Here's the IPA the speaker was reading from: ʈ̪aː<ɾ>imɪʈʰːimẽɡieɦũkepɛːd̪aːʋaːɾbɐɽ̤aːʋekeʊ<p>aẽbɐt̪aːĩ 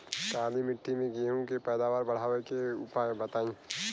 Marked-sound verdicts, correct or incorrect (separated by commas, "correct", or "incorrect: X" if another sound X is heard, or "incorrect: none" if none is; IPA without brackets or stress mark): incorrect: l, correct